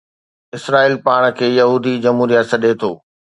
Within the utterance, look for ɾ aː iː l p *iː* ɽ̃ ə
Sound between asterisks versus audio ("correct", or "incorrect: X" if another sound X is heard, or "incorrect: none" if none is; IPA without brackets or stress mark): incorrect: aː